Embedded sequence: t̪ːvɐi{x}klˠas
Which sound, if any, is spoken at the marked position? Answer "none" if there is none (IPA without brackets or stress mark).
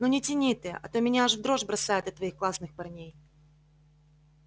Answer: x